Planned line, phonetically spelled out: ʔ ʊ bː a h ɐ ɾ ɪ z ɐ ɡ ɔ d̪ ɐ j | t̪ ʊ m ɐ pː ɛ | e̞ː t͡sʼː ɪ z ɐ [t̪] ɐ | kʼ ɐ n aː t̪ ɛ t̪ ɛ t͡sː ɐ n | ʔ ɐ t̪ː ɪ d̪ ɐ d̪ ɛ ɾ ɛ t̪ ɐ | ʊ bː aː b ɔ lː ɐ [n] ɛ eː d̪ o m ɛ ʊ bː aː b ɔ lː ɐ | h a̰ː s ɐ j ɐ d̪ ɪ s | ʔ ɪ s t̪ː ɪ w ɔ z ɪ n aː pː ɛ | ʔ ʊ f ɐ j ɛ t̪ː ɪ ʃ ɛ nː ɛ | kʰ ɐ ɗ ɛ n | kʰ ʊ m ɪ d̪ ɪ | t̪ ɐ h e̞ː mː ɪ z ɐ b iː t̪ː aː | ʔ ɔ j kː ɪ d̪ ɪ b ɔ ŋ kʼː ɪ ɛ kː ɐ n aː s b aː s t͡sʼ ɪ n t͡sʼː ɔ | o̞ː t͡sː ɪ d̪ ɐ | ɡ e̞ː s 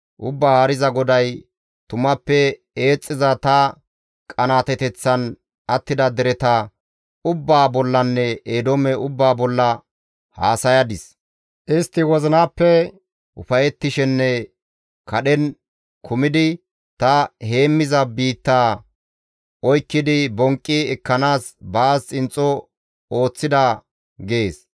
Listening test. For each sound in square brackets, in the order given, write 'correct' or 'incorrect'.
correct, incorrect

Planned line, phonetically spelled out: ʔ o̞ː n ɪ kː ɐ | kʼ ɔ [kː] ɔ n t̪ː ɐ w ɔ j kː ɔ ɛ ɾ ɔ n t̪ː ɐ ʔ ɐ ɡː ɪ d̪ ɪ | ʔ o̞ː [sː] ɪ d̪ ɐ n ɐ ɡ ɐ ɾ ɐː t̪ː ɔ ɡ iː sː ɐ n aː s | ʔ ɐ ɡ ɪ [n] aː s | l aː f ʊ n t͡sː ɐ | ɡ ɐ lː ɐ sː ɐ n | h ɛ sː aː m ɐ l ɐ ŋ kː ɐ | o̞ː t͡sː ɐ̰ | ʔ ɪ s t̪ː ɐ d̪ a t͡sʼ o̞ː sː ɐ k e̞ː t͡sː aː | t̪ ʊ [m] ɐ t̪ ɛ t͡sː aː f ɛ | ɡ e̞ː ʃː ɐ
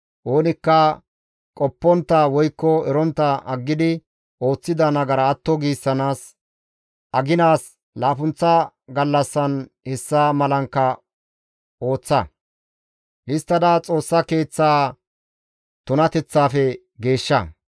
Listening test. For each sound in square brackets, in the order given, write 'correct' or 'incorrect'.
incorrect, incorrect, correct, incorrect

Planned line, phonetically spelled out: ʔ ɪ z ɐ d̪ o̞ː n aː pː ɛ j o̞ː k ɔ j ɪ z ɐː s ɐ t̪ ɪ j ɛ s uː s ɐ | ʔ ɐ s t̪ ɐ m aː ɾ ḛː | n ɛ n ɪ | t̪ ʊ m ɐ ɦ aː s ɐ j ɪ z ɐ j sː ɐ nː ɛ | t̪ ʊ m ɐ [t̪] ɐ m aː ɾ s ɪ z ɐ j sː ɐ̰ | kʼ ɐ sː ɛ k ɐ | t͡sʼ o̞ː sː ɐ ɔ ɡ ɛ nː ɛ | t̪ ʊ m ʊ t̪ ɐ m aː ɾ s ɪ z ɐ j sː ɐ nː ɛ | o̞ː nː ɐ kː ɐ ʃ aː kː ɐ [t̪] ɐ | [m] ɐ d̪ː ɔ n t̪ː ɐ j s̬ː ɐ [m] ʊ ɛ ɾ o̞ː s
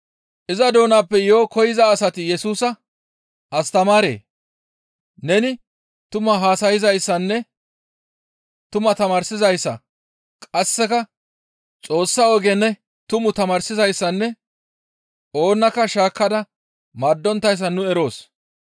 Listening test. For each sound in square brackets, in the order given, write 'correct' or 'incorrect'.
correct, incorrect, correct, incorrect

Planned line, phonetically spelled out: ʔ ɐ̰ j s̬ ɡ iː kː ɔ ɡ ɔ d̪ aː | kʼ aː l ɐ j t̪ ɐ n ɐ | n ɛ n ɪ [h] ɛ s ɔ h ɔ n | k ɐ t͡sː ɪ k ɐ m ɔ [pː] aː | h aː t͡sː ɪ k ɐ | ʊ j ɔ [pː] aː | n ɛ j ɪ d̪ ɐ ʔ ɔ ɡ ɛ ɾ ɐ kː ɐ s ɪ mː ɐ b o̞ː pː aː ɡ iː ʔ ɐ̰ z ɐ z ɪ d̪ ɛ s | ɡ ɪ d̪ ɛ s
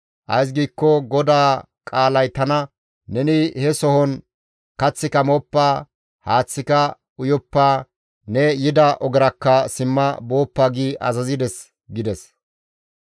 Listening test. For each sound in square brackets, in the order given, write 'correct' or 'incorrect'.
correct, correct, correct

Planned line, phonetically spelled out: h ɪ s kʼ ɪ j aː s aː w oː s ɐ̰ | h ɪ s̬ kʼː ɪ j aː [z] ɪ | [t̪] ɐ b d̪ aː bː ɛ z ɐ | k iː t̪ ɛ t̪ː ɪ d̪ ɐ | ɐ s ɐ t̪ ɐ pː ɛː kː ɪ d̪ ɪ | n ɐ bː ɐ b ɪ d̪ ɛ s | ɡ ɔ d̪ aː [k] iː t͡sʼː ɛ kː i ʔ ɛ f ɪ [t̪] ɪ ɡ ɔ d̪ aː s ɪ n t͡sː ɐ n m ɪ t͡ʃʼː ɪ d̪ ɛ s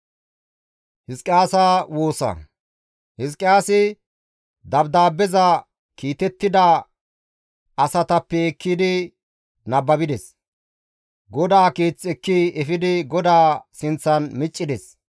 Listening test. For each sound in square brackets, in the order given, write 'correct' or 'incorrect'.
incorrect, incorrect, correct, incorrect

